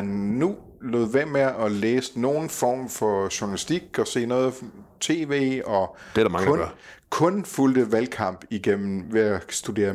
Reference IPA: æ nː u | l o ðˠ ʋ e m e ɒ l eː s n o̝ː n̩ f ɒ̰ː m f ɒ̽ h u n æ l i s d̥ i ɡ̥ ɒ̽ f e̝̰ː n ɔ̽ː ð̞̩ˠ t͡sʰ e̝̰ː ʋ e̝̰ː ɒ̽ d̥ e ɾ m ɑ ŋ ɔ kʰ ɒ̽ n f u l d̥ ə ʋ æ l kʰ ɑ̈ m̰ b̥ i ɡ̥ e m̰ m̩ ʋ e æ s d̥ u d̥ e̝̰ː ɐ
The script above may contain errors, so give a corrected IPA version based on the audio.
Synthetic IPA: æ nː u | l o ðˠ ʋ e m e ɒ l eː s n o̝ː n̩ f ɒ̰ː m f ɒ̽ ɕ u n æ l i s d̥ i ɡ̥ ɒ̽ s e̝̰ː n ɔ̽ː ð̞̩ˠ t͡sʰ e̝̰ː ʋ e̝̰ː ɒ̽ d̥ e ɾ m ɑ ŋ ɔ kʰ ɔ̽ n f u l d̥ ə ʋ æ l kʰ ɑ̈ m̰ b̥ i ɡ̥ e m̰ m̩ ʋ e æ s d̥ u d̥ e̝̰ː ɐ